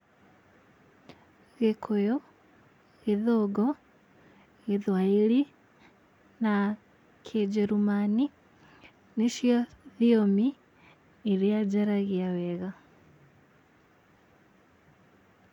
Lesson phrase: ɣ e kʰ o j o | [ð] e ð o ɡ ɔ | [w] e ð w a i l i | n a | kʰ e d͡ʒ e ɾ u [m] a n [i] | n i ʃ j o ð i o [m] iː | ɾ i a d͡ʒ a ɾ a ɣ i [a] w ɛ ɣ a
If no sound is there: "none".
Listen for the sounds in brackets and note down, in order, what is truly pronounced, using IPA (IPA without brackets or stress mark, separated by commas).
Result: ɣ, ɣ, m, i, m, a